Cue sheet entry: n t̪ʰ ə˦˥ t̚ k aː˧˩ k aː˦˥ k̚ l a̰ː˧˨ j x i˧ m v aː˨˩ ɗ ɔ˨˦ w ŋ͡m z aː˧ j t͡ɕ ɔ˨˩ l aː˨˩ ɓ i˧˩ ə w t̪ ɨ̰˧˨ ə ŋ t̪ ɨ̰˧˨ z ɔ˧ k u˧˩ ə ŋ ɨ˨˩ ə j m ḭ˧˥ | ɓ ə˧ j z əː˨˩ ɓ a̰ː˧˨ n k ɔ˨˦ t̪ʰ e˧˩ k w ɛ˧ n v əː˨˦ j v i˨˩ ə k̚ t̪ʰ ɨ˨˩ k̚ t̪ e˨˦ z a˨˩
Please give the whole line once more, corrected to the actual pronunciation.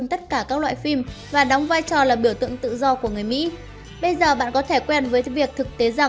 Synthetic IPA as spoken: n t̪ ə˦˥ t̚ k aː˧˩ k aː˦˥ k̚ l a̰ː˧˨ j f i˧ m v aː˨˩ ɗ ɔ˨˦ w ŋ͡m v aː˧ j t͡ɕ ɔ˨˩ l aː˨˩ ɓ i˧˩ ə w t̪ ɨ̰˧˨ ə ŋ t̪ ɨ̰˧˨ z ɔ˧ k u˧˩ ə ŋ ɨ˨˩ ə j m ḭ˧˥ | ɓ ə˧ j z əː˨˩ ɓ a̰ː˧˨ n k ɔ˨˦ t̪ʰ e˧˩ k w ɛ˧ n v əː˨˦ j v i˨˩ ə k̚ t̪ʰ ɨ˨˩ k̚ t̪ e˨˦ z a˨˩